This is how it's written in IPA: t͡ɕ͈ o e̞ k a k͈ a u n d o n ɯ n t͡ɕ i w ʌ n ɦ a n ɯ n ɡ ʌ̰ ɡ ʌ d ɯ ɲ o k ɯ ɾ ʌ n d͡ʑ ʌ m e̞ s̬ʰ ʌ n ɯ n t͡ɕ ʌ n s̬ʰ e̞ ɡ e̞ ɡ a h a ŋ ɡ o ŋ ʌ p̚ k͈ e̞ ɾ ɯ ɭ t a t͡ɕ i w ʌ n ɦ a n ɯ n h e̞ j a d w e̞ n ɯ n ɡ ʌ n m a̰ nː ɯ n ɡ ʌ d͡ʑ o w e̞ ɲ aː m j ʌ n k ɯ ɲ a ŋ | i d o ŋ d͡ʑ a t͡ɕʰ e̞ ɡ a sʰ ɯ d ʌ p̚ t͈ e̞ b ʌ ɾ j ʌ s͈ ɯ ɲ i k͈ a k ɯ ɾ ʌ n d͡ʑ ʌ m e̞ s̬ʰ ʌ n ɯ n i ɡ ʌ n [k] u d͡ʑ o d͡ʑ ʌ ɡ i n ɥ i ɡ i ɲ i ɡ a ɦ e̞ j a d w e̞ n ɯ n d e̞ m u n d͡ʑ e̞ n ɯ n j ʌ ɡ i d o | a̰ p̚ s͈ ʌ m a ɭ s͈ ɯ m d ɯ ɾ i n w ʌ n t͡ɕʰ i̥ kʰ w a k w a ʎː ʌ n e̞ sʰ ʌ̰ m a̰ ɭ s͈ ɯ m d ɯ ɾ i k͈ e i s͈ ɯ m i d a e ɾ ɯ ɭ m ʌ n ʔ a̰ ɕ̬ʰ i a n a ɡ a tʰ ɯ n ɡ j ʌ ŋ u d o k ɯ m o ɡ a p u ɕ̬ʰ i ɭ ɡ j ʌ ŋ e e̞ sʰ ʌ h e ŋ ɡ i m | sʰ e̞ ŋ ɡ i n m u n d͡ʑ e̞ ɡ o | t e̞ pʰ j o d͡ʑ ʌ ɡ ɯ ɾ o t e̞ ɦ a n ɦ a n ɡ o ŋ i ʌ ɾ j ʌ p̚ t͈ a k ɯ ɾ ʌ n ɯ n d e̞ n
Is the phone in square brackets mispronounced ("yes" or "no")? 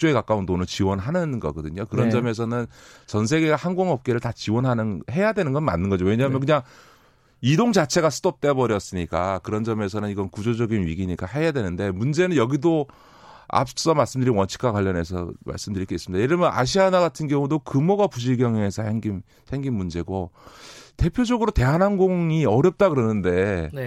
no